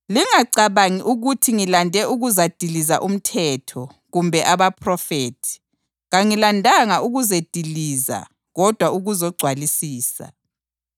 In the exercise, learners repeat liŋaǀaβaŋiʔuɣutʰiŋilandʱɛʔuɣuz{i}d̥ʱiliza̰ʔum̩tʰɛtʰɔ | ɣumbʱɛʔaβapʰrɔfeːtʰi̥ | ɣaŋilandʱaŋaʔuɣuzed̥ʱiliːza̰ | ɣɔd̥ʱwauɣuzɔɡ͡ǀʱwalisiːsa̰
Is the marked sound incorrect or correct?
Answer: incorrect